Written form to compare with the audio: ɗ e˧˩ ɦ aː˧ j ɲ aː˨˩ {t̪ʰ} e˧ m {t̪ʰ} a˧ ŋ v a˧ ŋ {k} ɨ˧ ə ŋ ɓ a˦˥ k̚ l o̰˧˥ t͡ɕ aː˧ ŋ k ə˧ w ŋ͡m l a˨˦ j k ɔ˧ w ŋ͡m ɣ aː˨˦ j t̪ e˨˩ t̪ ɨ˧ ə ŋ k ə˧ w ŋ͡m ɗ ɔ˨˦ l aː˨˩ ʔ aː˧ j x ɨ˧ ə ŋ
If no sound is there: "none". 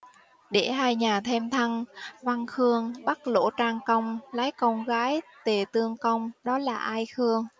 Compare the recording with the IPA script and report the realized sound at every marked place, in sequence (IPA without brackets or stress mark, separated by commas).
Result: t̪ʰ, t̪ʰ, x